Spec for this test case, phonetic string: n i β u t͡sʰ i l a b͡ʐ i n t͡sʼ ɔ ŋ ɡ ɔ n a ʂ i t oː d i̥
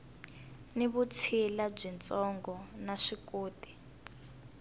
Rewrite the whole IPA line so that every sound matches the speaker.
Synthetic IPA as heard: n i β u t͡sʰ i l a b͡ʐ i n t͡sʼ ɔ ŋ ɡ ɔ n a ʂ i k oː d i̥